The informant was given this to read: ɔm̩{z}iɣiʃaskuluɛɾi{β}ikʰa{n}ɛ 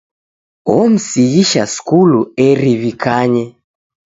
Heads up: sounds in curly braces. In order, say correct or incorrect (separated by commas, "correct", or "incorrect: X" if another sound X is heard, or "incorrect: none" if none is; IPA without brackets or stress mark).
incorrect: s, correct, incorrect: ɲ